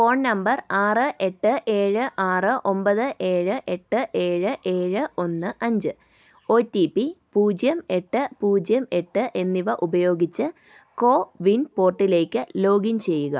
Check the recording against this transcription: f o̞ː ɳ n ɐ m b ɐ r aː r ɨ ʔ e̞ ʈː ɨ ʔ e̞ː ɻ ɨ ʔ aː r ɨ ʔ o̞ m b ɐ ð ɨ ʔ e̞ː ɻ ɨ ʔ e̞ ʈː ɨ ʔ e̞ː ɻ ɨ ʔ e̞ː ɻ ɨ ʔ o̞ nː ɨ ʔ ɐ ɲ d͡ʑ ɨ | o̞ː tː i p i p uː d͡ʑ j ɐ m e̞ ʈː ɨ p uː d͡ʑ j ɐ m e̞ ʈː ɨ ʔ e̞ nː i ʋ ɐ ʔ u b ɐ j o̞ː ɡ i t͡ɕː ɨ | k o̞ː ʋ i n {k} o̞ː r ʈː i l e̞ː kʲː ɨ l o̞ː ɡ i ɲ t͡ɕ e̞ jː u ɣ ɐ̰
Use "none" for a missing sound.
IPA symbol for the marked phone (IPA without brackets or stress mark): p